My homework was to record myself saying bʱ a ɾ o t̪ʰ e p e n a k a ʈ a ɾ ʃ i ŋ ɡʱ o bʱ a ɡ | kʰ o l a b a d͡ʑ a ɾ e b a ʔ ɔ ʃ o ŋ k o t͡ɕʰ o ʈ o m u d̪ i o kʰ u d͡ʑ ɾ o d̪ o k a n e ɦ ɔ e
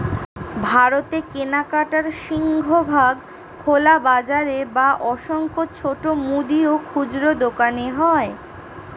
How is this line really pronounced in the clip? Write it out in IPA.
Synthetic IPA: bʱ a ɾ o t̪ e k e n a k a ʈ a ɾ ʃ i ŋ ɡʱ o bʱ a ɡ | kʰ o l a b a d͡ʑ a ɾ e b a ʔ ɔ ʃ o ŋ k o t͡ɕʰ o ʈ o m u d̪ i o kʰ u d͡ʑ ɾ o d̪ o k a n e ɦ ɔ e

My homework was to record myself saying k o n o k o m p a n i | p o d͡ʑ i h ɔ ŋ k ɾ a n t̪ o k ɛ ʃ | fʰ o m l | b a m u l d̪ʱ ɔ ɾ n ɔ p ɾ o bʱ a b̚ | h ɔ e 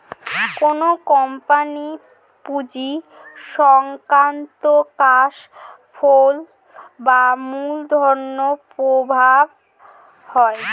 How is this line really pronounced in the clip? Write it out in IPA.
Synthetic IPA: k o n o k ɔ m p a n i | p u d͡ʑ i ʃ ɔ ŋ k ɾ a n t̪ o k a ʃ | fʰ o l | b a m u l d̪ʱ ɔ ɾ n o p ɾ o bʱ a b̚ | h ɔ e

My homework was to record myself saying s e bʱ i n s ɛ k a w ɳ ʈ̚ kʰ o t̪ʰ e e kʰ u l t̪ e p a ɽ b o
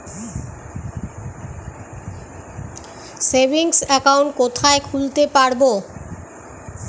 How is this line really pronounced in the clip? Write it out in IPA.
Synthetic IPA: s e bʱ i ŋ s ɛ k a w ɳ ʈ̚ k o t̪ʰ a e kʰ u l t̪ e p a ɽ b o

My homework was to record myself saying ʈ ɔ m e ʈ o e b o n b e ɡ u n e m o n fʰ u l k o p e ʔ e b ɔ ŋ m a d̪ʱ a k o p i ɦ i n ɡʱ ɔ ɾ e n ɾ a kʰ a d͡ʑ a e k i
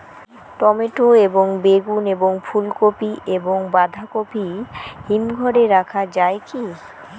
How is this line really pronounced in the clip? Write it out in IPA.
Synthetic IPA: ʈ ɔ m e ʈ o e b o ŋ b e ɡ u n e b o ŋ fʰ u l k o p i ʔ e b o ŋ b a d̪ʱ a k o p i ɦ i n ɡʱ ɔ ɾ e ɾ a kʰ a d͡ʑ a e k i

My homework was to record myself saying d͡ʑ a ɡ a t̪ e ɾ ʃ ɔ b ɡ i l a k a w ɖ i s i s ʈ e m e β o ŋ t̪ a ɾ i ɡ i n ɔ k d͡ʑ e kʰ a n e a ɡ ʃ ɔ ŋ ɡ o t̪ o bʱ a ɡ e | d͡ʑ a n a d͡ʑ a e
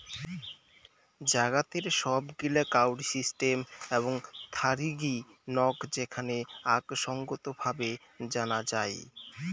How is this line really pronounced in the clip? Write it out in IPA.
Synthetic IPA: d͡ʑ a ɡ a t̪ e ɾ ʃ ɔ b ɡ i l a k a w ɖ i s i s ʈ e m e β o ŋ t̪ʰ a ɾ i ɡ i n ɔ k d͡ʑ e kʰ a n e a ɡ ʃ ɔ ŋ ɡ o t̪ o bʱ a b e | d͡ʑ a n a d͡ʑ a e

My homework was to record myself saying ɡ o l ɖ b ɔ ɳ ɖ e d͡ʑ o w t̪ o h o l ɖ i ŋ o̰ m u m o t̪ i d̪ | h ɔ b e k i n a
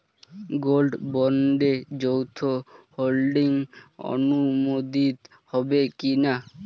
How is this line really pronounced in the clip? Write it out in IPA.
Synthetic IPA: ɡ o l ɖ b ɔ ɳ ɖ e d͡ʑ o w t̪ʰ o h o l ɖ i ŋ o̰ n u m o d̪ i t̪ | h ɔ b e k i n a

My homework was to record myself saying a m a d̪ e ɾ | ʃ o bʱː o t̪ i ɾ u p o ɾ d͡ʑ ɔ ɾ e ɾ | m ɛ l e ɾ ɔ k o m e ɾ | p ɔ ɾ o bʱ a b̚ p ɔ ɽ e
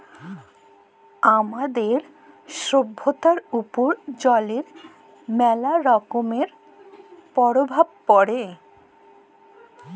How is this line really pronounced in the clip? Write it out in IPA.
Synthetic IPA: a m a d̪ e ɾ | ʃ o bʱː o t̪ a ɾ u p o ɾ d͡ʑ ɔ l e ɾ | m ɛ l a ɾ ɔ k o m e ɾ | p ɔ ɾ o bʱ a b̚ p ɔ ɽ e

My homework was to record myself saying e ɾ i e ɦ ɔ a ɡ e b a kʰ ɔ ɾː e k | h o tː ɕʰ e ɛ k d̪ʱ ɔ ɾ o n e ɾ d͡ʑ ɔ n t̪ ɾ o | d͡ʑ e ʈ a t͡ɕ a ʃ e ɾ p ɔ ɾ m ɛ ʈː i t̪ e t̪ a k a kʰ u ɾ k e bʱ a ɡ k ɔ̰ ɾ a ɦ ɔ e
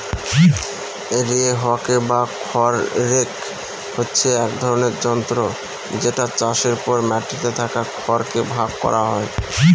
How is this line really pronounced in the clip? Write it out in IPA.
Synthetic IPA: e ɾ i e ɦ ɔ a k e b a kʰ ɔ ɾː e k | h o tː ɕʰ e ɛ k d̪ʱ ɔ ɾ o n e ɾ d͡ʑ ɔ n t̪ ɾ o | d͡ʑ e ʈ a t͡ɕ a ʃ e ɾ p ɔ ɾ m ɛ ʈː i t̪ e t̪ʰ a k a kʰ ɔ ɾ k e bʱ a ɡ k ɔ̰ ɾ a ɦ ɔ e

